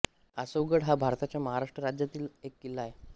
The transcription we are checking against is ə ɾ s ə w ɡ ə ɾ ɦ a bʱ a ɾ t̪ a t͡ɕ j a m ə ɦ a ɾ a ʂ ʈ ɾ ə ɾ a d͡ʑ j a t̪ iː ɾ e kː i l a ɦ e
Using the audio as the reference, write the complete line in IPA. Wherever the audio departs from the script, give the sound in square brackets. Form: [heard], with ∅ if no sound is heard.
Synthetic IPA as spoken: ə [∅] s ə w ɡ ə [ɽ] ɦ a bʱ a ɾ t̪ a t͡ɕ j a m ə ɦ a ɾ a ʂ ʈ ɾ ə ɾ a d͡ʑ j a t̪ iː [l] e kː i l a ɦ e